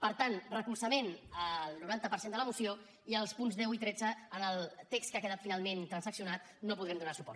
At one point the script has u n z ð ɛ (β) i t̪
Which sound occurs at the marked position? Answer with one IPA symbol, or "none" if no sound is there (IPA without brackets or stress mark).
w